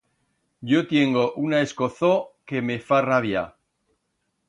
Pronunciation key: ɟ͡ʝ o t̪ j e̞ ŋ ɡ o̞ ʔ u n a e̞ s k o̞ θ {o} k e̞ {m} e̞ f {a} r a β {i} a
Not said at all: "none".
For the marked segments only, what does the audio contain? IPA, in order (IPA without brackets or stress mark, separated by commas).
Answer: o, m, a, j